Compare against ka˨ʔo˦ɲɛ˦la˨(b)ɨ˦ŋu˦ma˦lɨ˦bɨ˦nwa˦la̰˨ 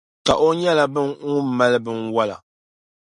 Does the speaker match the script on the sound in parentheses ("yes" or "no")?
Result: yes